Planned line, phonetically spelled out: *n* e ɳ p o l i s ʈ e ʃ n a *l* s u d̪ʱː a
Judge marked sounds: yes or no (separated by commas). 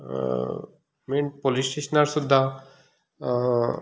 no, no